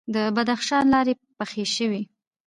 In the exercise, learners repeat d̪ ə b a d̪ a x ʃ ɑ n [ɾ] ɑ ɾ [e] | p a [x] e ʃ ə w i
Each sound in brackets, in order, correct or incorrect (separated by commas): incorrect, correct, correct